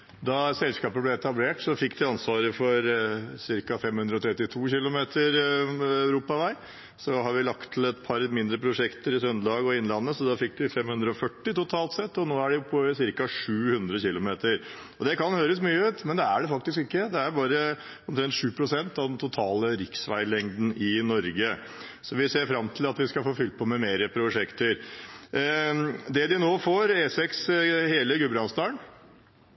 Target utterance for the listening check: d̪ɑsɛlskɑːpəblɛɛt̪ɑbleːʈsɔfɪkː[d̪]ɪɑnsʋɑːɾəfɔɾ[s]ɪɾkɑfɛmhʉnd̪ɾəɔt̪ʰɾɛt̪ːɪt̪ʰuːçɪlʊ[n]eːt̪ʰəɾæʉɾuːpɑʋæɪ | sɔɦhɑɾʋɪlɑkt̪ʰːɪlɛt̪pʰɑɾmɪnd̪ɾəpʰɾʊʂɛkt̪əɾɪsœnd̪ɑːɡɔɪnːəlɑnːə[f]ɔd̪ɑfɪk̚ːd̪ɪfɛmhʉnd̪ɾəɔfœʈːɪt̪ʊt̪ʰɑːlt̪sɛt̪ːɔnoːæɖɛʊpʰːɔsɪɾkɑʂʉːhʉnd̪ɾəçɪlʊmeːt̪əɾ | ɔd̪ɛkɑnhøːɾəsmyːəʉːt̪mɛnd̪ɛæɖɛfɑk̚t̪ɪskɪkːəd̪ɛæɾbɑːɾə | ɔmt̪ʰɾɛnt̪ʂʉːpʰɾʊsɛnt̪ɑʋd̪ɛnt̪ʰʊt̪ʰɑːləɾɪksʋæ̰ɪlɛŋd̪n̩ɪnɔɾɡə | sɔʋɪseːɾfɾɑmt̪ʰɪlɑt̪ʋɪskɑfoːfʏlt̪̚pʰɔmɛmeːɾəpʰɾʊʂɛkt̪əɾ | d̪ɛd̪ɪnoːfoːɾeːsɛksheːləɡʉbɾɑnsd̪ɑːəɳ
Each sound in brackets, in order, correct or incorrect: correct, correct, incorrect, incorrect

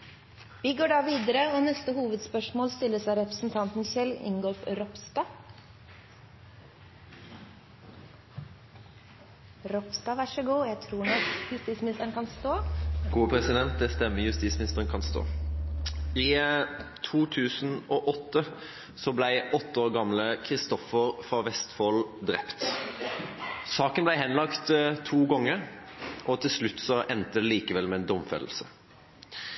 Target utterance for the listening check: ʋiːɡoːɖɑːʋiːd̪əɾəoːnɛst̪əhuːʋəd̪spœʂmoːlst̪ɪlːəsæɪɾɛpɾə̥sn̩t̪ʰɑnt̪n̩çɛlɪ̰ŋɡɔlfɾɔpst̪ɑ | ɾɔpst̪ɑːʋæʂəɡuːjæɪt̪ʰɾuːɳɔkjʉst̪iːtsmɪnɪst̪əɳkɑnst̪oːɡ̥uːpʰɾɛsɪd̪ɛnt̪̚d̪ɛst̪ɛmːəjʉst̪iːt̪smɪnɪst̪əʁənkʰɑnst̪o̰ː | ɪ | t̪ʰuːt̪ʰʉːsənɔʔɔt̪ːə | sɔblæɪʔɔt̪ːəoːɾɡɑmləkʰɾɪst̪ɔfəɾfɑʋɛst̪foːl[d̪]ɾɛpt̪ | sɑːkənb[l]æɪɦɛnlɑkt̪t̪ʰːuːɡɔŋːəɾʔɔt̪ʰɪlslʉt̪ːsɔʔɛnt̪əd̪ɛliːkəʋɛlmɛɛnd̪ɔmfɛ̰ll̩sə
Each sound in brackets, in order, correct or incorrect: correct, correct

